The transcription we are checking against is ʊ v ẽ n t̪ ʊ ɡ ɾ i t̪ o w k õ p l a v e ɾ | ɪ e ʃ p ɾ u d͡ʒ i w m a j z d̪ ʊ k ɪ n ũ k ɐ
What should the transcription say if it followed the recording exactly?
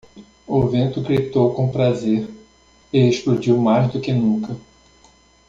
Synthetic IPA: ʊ v ẽ n t̪ ʊ ɡ ɾ i t̪ o w k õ p ɾ a z e ɾ | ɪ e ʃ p l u d͡ʒ i w m a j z d̪ ʊ k ɪ n ũ k ɐ